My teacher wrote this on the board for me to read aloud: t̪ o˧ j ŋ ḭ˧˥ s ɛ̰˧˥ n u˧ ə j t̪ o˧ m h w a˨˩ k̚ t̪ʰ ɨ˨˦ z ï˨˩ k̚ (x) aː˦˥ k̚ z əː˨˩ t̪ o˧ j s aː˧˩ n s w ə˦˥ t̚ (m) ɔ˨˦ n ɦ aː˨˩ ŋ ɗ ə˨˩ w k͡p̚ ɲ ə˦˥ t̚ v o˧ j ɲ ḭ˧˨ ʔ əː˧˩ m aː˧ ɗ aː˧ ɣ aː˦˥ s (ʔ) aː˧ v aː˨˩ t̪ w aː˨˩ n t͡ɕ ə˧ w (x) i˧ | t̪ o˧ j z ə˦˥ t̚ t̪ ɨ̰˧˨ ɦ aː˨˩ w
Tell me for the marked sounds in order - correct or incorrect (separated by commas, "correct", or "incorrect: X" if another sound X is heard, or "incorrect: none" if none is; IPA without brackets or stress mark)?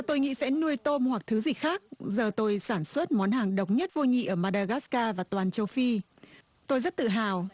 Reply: correct, correct, incorrect: k, incorrect: f